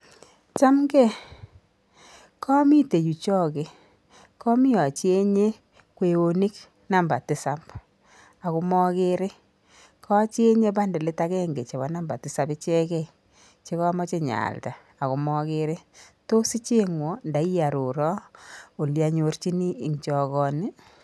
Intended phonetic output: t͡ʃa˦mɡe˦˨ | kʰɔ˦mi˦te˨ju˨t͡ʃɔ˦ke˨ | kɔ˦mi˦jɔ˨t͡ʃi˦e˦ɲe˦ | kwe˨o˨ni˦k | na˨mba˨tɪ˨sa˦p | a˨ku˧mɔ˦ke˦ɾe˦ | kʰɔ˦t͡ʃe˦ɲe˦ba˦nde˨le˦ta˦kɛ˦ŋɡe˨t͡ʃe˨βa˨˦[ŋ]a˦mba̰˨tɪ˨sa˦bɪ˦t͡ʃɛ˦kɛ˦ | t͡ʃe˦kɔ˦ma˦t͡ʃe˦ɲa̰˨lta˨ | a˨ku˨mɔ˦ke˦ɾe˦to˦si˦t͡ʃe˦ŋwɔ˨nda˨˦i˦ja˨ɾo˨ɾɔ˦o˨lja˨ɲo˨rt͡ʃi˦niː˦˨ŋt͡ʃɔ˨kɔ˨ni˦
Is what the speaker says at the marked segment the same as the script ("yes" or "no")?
no